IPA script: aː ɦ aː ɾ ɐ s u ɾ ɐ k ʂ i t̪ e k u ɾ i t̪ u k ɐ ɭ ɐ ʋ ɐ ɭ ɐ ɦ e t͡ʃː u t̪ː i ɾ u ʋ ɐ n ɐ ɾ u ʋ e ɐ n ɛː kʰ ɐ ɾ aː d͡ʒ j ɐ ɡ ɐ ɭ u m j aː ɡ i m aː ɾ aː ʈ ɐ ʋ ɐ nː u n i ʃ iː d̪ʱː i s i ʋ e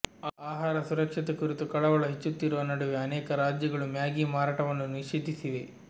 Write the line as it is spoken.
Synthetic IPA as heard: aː ɦ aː ɾ ɐ s u ɾ ɐ k ʂ i t̪ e k u ɾ i t̪ u k ɐ ɭ ɐ ʋ ɐ ɭ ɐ ɦ e t͡ʃː u t̪ː i ɾ u ʋ ɐ n ɐ ɽ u ʋ e ɐ n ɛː k ɐ ɾ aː d͡ʒ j ɐ ɡ ɐ ɭ u m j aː ɡ i m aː ɾ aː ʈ ɐ ʋ ɐ nː u n i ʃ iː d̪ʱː i s i ʋ e

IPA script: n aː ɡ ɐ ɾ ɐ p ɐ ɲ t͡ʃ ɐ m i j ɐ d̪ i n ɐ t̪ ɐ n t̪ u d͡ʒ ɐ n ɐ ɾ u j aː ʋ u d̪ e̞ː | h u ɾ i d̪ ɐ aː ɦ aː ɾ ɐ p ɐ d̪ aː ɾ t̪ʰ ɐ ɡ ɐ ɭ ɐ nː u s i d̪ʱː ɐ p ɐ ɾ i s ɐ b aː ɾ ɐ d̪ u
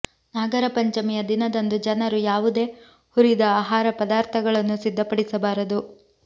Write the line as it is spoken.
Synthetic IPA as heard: n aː ɡ ɐ ɾ ɐ p ɐ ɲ t͡ʃ ɐ m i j ɐ d̪ i n ɐ d̪ ɐ n d̪ u d͡ʒ ɐ n ɐ ɾ u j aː ʋ u d̪ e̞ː | h u ɾ i d̪ ɐ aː ɦ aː ɾ ɐ p ɐ d̪ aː ɾ t̪ʰ ɐ ɡ ɐ ɭ ɐ nː u s i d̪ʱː ɐ p ɐ ɽ i s ɐ b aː ɾ ɐ d̪ u

